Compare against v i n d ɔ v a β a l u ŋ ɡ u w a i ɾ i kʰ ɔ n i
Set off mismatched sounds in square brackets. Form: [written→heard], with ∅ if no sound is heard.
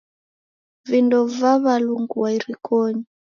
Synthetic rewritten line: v i n d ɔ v a β a l u ŋ ɡ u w a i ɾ i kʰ ɔ [n→ɲ] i